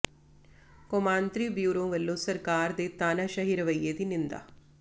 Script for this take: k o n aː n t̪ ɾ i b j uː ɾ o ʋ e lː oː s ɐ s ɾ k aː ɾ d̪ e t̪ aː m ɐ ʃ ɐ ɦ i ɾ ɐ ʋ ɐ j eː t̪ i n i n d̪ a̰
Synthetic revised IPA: k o m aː n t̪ ɾ i b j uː ɾ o ʋ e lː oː s ɐ ɾ k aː ɾ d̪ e t̪ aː n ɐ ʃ ɐ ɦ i ɾ ɐ ʋ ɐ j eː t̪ i n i n d̪ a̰